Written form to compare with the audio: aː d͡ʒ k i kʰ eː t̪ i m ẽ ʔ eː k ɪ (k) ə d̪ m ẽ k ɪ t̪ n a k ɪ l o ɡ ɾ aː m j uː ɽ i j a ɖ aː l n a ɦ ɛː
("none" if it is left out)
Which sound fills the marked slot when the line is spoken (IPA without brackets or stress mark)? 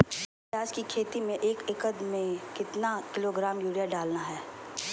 k